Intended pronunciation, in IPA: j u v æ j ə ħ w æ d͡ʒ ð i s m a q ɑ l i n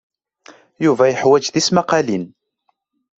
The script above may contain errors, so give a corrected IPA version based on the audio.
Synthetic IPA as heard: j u v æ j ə ħ w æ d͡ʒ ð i s m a q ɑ l i n